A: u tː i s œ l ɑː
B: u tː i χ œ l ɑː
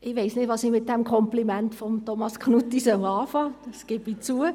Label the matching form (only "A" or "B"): A